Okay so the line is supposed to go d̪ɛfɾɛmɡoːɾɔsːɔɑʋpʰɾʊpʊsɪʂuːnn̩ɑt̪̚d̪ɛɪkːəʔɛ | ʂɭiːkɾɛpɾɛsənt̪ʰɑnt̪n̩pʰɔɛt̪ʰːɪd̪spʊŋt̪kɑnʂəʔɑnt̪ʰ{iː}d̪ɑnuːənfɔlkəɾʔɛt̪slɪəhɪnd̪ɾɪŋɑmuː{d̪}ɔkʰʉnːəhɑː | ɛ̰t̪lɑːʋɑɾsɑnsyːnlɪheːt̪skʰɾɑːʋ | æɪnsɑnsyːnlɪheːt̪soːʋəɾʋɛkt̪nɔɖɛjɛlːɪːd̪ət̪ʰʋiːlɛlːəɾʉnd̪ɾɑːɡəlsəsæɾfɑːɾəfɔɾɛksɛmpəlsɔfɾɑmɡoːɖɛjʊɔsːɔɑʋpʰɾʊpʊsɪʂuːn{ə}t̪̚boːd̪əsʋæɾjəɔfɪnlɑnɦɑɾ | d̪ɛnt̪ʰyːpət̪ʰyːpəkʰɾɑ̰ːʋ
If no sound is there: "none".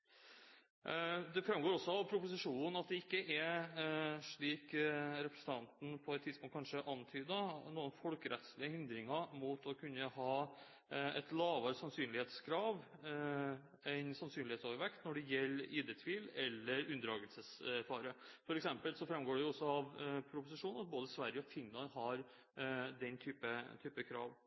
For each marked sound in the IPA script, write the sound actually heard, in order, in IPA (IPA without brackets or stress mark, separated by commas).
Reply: yː, t̪, ɑ